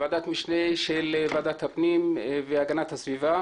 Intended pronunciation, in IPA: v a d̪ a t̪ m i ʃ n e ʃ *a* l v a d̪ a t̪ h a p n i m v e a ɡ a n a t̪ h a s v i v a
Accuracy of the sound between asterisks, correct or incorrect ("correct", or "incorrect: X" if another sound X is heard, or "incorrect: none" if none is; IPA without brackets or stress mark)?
incorrect: e